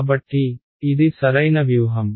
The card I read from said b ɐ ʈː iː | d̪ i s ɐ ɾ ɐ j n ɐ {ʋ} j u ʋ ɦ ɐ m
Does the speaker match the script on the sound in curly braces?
yes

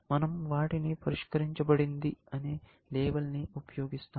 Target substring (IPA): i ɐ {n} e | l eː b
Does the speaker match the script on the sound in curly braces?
yes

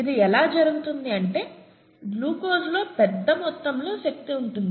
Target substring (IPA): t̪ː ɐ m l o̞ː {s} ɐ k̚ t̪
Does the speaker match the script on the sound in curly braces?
no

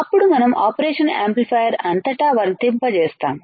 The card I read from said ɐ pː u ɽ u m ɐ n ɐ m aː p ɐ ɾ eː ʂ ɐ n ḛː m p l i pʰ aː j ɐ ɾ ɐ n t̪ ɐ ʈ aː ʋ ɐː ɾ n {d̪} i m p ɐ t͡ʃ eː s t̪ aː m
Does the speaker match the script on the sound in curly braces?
no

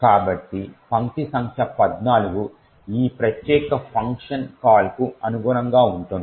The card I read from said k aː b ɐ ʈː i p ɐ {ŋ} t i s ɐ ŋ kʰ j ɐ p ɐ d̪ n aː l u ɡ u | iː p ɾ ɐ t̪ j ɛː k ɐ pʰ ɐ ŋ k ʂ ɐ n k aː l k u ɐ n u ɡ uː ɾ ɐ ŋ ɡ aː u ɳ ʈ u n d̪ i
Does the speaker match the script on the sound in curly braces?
yes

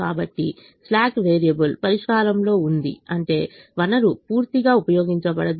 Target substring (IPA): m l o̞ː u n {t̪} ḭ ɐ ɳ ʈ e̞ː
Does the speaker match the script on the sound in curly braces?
no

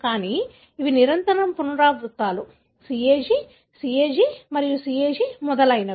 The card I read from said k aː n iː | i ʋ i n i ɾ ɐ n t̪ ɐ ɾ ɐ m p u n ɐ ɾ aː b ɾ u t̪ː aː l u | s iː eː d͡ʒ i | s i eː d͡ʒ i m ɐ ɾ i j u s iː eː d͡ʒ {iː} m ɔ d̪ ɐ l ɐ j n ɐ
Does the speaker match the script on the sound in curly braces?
no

